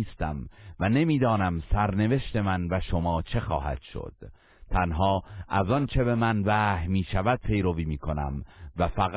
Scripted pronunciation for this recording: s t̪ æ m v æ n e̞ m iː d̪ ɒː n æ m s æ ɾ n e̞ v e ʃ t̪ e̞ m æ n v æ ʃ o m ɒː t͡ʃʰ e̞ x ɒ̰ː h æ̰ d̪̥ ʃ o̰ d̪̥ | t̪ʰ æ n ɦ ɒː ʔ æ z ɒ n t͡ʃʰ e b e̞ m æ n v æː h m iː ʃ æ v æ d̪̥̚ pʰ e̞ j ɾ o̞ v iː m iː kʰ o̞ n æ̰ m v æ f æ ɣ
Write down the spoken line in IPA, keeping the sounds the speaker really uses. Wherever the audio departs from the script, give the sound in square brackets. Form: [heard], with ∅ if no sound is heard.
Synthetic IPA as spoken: s t̪ æ m v æ n e̞ m iː d̪ ɒː n æ m s æ ɾ n e̞ v e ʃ t̪ e̞ m æ n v æ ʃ o m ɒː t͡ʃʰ e̞ x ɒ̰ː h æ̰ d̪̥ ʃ o̰ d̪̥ | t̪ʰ æ n ɦ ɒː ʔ æ z ɒ n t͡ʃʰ e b e̞ m æ n v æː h m iː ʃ æ v æ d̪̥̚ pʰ e̞ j ɾ o̞ v iː m iː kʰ o̞ n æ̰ m v æ f æ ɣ